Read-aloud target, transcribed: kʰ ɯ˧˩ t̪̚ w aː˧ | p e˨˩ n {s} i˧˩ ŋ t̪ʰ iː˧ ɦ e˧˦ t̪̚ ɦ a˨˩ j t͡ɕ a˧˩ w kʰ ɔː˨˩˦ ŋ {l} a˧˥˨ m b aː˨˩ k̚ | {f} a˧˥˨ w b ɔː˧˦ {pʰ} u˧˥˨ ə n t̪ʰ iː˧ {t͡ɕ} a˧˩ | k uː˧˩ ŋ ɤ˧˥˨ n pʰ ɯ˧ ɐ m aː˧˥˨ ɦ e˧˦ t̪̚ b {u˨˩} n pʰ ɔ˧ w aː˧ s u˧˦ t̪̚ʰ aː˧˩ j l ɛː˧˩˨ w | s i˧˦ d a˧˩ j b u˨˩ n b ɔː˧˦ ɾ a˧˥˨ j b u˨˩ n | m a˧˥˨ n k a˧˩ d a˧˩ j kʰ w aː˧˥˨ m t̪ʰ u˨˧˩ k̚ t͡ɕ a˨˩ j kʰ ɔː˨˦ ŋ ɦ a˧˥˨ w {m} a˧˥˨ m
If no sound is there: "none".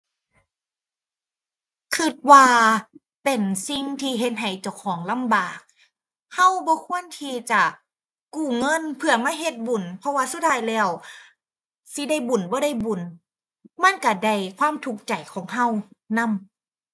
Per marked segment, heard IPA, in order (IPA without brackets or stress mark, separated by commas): s, l, h, kʰ, t͡ɕ, u˨˩, n